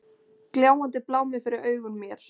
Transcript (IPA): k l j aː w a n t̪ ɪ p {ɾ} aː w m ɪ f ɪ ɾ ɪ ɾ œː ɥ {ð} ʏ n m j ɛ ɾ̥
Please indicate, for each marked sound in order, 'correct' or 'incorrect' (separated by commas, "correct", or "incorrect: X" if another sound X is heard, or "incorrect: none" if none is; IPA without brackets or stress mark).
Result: incorrect: l, incorrect: ɣ